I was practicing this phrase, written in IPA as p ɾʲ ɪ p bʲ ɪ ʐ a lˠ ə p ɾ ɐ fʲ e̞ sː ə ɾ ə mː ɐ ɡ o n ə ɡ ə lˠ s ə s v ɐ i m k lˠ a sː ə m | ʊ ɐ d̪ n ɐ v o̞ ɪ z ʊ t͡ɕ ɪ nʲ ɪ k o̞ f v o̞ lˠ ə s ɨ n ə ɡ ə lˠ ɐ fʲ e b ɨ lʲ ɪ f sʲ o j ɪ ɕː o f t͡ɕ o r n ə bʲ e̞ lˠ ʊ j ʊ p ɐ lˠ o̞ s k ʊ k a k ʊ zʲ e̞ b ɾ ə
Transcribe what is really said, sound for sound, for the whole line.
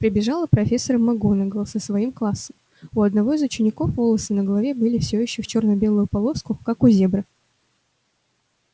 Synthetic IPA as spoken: p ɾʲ ɪ bʲ ɪ ʐ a lˠ ə p ɾ ɐ fʲ e̞ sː ə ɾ ə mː ɐ ɡ o n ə ɡ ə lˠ s ə s v ɐ i m k lˠ a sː ə m | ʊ ɐ d̪ n ɐ v o̞ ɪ z ʊ t͡ɕ ɪ nʲ ɪ k o̞ f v o̞ lˠ ə s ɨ n ə ɡ ə lˠ ɐ vʲ e b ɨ lʲ ɪ f sʲ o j ɪ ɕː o f t͡ɕ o r n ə bʲ e̞ lˠ ʊ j ʊ p ɐ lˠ o̞ s k ʊ k a k ʊ zʲ e̞ b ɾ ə